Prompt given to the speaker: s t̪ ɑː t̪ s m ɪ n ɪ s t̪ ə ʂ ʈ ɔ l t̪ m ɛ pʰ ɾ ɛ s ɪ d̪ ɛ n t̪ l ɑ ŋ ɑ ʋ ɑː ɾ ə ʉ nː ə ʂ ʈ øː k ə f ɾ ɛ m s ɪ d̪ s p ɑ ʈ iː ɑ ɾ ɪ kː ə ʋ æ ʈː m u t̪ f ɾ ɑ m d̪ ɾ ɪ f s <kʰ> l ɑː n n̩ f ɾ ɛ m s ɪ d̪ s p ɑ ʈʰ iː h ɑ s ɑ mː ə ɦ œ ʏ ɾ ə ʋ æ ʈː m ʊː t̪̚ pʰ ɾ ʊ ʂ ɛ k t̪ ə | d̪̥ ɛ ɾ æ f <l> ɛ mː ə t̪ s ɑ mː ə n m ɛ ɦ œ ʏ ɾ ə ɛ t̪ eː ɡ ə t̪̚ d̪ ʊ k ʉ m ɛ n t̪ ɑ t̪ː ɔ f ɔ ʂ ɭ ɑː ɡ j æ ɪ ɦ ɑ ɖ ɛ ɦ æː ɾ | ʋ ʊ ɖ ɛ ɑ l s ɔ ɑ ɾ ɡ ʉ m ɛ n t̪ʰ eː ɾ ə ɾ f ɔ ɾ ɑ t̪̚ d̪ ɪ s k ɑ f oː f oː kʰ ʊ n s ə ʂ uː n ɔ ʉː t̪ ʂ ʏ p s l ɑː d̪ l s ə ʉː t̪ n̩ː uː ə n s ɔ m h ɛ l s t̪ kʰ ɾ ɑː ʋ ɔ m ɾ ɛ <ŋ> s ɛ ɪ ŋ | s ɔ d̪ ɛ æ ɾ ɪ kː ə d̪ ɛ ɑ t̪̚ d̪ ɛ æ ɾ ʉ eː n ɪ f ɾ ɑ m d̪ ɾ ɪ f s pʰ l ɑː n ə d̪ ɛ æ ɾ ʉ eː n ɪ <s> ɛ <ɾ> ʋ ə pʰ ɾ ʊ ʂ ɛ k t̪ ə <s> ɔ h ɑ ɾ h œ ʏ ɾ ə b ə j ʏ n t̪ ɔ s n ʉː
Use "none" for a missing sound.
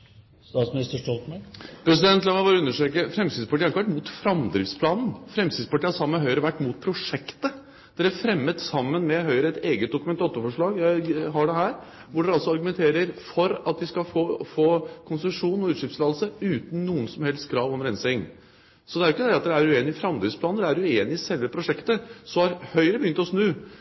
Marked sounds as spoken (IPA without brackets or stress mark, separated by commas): pʰ, ɾ, n, s, l, s